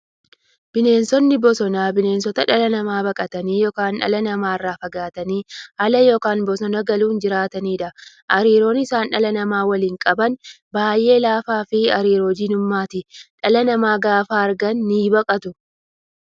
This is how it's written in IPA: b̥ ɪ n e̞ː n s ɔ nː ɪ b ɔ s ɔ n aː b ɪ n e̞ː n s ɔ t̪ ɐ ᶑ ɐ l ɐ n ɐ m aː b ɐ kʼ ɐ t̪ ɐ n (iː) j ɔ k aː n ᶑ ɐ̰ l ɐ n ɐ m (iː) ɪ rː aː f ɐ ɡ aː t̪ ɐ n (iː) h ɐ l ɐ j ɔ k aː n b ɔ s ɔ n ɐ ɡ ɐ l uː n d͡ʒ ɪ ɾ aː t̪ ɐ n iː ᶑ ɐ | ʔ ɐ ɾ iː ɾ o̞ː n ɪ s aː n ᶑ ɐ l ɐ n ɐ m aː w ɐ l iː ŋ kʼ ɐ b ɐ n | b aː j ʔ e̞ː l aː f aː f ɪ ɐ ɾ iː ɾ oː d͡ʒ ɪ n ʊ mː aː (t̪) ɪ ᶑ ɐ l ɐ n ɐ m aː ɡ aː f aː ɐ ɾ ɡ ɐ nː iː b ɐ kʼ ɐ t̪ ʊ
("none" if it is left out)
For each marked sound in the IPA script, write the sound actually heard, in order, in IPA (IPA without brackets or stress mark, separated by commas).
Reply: iː, aː, iː, t̪